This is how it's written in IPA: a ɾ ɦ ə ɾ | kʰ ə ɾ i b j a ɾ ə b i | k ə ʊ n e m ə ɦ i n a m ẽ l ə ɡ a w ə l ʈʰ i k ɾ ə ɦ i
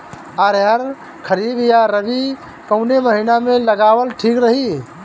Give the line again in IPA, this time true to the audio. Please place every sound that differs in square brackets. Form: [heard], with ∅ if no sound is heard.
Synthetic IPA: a ɾ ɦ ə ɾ | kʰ ə ɾ i b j a ɾ ə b i | k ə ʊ n e m ə ɦ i n a m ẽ l ə ɡ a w ə l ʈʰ i k ɾ ə ɦ i

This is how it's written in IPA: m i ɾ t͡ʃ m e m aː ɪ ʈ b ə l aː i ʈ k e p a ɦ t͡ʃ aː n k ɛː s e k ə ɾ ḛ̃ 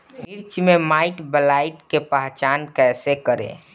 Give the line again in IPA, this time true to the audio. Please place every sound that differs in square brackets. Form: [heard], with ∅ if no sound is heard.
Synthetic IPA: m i ɾ t͡ʃ m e m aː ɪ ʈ b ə l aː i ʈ k e p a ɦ t͡ʃ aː n k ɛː s e k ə ɾ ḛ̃

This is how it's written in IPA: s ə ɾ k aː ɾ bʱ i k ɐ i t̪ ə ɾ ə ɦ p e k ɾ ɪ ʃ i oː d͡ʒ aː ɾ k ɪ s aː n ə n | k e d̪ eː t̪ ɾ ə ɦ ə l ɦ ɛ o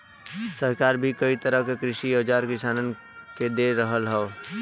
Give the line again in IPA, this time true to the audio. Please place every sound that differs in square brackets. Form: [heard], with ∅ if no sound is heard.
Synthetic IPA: s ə ɾ k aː ɾ bʱ i k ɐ i t̪ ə ɾ ə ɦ [k] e k ɾ ɪ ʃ i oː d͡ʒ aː ɾ k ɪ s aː n ə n | k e d̪ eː [∅] ɾ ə ɦ ə l ɦ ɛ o

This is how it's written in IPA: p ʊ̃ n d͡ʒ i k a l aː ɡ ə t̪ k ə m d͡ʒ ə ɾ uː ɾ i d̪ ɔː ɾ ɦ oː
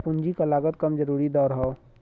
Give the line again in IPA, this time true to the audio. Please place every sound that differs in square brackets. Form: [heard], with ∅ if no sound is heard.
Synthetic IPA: p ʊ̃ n d͡ʒ i k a l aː ɡ ə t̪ k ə m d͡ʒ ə ɾ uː ɾ i d̪ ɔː ɾ ɦ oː

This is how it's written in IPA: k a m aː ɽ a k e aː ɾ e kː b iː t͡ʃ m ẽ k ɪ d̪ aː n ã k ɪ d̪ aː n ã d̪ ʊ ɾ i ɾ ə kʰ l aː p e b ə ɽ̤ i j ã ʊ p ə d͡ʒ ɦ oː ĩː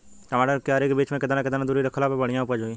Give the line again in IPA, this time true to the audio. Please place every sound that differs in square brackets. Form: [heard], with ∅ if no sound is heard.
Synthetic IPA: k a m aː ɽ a k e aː ɾ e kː b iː t͡ʃ m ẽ k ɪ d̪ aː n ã k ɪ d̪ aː n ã d̪ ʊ ɾ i ɾ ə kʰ l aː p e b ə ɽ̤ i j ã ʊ p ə d͡ʒ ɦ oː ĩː

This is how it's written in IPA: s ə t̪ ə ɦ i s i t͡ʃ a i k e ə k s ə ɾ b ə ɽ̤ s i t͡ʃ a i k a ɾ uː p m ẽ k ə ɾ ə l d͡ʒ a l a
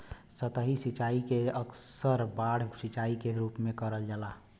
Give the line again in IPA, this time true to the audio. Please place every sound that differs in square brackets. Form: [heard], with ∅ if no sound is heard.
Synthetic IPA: s ə t̪ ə ɦ i s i t͡ʃ a i k e ə k s ə ɾ b [a] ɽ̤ s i t͡ʃ a i k [e] ɾ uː p m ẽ k ə ɾ ə l d͡ʒ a l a

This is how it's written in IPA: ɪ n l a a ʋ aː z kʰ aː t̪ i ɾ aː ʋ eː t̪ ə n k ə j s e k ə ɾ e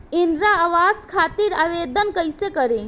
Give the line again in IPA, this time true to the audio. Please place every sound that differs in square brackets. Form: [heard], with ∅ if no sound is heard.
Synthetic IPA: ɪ n [ɾ] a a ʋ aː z kʰ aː t̪ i ɾ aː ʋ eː [d̪] ə n k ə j s e k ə ɾ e

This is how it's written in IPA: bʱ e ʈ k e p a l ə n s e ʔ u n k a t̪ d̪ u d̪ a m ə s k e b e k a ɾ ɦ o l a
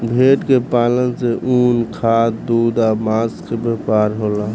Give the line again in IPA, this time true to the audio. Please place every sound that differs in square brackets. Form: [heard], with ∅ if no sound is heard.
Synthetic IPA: bʱ e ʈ k e p a l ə n s e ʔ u n [kʰ] a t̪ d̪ u d̪ a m [a] s k e b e [p] a ɾ ɦ o l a

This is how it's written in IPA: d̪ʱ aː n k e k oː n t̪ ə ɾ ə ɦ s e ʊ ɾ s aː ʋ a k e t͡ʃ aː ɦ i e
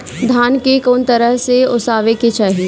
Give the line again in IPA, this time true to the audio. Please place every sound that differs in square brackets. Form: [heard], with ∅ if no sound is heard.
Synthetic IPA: d̪ʱ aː n k e k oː n t̪ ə ɾ ə ɦ s e ʊ [∅] s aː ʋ [e] k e t͡ʃ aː ɦ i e

